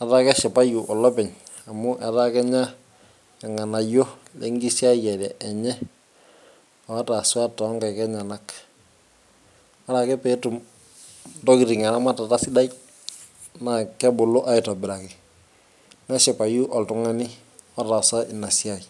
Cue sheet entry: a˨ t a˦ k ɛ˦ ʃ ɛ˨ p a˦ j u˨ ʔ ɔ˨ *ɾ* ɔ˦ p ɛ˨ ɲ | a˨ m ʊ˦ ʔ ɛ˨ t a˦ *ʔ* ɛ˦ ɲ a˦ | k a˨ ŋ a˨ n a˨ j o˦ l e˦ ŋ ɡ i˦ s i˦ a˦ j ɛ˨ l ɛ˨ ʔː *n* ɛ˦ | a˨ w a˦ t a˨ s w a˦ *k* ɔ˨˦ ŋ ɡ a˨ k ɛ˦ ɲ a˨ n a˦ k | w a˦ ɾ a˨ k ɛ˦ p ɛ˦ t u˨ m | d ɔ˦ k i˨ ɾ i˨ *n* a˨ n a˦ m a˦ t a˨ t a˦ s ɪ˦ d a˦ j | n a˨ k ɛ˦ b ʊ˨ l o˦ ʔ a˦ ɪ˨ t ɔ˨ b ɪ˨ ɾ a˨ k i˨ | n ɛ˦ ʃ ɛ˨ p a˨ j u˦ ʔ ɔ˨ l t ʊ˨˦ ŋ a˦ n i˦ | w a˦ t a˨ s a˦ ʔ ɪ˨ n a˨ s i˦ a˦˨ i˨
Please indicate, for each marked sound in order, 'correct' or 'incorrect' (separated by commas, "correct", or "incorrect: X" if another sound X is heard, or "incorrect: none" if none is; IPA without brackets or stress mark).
incorrect: l, incorrect: k, incorrect: ɲ, incorrect: t, incorrect: ŋ